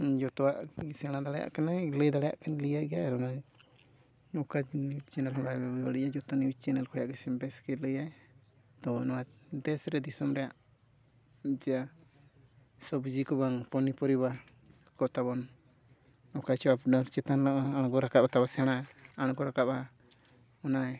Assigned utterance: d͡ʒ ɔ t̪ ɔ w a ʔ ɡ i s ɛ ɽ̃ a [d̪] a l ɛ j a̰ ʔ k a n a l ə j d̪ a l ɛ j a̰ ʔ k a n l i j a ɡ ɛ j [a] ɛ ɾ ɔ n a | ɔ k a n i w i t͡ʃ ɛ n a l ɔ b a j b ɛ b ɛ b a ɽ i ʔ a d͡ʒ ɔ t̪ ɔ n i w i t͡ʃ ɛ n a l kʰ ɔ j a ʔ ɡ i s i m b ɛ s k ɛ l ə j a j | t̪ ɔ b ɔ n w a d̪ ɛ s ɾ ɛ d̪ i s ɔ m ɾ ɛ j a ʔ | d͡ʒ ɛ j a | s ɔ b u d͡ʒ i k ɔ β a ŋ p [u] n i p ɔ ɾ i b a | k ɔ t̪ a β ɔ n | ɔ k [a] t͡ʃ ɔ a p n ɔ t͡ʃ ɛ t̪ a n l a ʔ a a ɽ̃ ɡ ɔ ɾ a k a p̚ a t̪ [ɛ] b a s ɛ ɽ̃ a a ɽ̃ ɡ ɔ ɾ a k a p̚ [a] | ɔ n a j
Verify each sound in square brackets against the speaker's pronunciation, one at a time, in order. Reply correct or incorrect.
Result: correct, correct, incorrect, correct, incorrect, correct

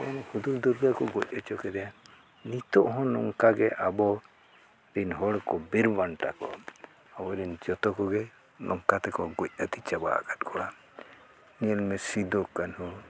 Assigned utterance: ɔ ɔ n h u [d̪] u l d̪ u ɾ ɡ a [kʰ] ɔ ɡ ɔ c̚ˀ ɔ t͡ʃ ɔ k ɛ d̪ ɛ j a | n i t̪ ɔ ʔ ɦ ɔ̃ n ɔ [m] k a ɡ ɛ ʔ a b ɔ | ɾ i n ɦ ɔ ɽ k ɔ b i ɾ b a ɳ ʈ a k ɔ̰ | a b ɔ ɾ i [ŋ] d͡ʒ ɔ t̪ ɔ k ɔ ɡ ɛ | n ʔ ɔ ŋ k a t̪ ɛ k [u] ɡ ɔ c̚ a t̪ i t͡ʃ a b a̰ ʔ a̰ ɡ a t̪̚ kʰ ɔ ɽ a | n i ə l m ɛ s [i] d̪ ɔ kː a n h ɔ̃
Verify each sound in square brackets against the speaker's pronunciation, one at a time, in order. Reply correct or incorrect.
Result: correct, incorrect, incorrect, incorrect, incorrect, correct

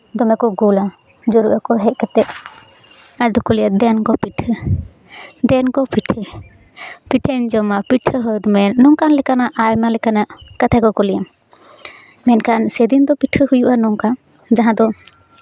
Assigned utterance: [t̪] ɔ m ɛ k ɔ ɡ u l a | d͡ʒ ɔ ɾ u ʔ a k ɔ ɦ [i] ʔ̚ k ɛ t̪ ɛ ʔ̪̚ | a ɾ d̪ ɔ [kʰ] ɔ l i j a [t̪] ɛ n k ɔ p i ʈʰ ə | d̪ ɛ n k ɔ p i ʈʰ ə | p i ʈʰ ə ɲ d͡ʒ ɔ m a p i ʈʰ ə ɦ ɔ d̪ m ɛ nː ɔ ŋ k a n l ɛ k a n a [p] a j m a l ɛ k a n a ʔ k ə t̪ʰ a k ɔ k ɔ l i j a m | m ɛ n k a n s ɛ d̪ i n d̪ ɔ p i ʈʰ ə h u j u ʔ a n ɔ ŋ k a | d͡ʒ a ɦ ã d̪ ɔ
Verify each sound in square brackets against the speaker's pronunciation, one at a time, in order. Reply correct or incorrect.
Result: incorrect, incorrect, incorrect, incorrect, incorrect

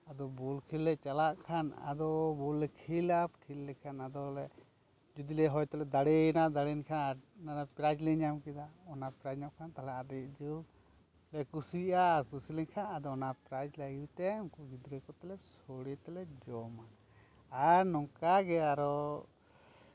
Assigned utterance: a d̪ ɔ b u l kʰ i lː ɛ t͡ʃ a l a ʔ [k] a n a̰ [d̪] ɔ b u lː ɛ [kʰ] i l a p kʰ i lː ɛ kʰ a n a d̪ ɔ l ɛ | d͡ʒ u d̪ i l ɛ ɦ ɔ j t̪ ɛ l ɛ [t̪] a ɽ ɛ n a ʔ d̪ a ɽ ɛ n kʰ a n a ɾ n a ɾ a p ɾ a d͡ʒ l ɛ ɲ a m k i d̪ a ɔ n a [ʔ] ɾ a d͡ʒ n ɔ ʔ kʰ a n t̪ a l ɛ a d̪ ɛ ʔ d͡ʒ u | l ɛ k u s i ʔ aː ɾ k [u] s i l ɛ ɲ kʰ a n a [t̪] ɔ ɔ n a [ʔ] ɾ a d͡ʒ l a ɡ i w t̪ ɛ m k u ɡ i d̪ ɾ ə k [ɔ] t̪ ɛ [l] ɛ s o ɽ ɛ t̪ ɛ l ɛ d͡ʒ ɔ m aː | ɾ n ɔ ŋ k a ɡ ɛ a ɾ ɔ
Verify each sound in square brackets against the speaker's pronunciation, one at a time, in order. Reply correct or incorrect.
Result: incorrect, correct, correct, incorrect, incorrect, correct, incorrect, incorrect, correct, correct

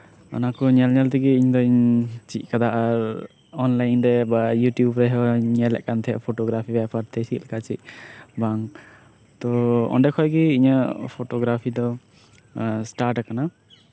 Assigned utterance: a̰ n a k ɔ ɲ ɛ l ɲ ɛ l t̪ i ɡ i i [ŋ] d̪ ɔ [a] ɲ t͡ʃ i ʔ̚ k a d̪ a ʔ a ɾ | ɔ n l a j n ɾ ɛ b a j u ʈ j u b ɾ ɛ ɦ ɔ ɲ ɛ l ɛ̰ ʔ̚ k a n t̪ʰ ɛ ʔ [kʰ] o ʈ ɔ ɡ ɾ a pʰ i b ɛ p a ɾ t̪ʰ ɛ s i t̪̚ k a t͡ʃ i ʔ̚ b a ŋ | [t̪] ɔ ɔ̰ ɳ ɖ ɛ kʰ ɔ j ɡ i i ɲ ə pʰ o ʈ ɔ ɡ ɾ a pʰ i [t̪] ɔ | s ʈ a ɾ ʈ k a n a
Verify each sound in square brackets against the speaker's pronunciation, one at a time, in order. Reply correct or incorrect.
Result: incorrect, incorrect, incorrect, correct, incorrect

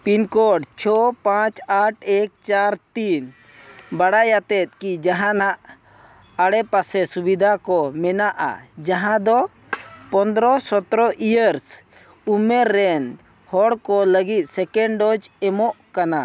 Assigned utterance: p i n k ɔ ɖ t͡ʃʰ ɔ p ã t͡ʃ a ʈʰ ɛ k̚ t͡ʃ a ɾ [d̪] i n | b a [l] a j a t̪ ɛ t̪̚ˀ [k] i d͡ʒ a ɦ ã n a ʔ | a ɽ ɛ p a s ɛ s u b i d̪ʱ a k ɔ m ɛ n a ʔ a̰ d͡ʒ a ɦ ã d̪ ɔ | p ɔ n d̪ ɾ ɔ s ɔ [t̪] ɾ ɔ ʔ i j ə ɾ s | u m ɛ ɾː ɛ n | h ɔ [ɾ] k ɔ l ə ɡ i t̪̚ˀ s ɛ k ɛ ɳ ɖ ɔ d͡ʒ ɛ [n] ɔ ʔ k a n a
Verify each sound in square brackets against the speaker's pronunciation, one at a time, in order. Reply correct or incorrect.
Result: incorrect, incorrect, correct, correct, incorrect, incorrect

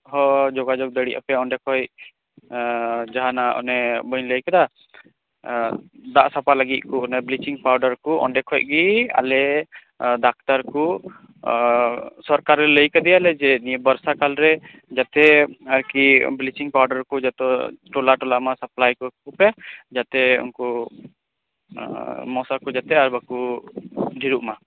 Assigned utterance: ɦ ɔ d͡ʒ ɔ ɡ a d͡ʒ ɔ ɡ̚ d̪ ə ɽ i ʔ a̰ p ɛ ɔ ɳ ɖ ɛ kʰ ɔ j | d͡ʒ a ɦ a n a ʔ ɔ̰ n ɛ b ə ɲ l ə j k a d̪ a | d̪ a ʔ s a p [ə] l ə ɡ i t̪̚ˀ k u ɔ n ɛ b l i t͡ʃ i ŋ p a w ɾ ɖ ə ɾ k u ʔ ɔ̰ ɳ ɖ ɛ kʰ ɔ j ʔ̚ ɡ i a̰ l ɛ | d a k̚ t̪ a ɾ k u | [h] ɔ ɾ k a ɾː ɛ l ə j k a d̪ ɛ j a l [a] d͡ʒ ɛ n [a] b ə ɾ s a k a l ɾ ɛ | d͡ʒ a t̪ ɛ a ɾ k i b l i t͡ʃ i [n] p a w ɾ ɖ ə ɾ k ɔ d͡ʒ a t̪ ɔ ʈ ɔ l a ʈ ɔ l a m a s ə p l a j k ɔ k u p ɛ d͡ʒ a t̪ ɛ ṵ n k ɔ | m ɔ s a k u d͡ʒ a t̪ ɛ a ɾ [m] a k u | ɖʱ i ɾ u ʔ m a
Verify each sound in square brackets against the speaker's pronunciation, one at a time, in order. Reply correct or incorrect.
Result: incorrect, incorrect, incorrect, incorrect, incorrect, incorrect

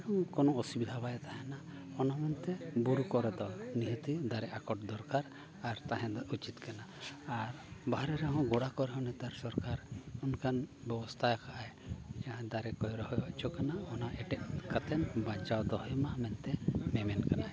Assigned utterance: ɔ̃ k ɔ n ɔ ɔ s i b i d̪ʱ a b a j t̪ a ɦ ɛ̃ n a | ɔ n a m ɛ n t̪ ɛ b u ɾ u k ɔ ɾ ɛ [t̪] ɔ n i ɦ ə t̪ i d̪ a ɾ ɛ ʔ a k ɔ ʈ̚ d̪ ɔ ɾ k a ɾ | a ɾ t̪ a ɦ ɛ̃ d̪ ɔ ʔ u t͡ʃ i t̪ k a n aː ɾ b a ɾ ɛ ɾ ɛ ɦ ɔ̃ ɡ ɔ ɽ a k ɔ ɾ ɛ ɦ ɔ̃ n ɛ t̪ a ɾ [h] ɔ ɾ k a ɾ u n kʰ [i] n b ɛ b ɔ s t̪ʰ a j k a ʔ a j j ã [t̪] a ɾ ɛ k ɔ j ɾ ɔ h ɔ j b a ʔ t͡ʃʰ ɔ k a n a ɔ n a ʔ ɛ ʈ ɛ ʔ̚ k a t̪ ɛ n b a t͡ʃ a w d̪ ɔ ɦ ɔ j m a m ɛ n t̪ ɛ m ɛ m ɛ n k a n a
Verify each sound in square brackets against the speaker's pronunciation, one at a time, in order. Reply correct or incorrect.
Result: incorrect, incorrect, incorrect, incorrect

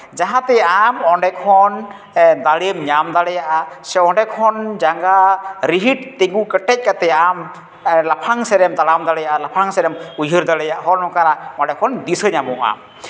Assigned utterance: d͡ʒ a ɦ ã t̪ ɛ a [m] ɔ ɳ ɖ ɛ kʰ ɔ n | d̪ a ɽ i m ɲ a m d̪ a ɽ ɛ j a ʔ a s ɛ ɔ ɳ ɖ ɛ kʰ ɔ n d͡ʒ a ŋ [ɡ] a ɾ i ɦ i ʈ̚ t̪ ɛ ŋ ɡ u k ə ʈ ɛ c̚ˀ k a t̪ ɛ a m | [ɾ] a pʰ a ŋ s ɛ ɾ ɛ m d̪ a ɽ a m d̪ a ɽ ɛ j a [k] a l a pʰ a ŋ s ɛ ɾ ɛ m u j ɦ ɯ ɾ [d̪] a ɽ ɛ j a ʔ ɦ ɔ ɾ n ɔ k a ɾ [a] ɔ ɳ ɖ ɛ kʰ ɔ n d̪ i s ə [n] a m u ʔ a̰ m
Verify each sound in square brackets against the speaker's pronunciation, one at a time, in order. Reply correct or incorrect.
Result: correct, correct, incorrect, incorrect, correct, correct, incorrect

